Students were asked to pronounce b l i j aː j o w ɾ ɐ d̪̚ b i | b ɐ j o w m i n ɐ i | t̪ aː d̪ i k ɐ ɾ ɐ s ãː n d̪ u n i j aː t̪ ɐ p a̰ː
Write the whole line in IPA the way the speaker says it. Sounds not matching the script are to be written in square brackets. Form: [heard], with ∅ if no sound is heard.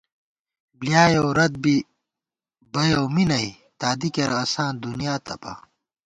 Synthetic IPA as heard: b l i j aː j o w ɾ ɐ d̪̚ b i | b ɐ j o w m i n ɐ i | t̪ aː d̪ i k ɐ ɾ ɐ s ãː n d̪ u n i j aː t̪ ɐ p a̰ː